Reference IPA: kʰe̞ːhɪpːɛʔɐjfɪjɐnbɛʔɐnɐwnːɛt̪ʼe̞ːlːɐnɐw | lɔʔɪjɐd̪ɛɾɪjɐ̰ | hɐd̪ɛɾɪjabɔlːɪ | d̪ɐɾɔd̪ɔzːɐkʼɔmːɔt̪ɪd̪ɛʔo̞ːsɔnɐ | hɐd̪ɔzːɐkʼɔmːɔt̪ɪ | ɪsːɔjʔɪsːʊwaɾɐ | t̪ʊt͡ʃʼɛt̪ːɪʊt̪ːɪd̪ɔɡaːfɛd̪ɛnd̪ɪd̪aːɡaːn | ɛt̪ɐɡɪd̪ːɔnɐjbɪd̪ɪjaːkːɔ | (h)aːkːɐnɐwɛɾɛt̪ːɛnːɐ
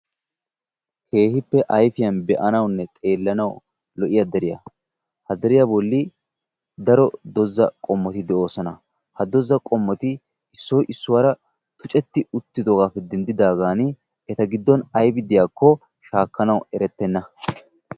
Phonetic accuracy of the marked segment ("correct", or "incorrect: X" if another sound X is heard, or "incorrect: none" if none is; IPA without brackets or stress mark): incorrect: ʃ